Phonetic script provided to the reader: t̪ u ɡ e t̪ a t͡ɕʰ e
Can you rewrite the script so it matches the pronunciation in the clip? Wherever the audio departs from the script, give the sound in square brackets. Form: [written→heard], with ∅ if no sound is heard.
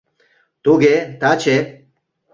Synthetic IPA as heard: t̪ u ɡ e t̪ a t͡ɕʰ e